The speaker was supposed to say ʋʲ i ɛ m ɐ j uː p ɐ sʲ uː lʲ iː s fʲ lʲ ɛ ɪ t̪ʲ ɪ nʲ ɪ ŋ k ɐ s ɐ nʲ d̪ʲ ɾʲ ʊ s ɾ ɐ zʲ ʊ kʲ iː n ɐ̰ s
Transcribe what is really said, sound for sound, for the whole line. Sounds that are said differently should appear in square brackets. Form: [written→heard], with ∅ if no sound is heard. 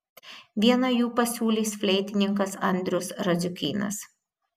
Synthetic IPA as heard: ʋʲ i ɛ [m→n] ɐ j uː p ɐ sʲ uː lʲ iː s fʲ lʲ ɛ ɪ t̪ʲ ɪ nʲ ɪ ŋ k ɐ s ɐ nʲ d̪ʲ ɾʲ ʊ s ɾ ɐ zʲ ʊ kʲ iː n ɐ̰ s